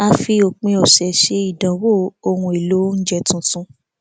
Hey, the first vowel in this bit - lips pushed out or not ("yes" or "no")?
no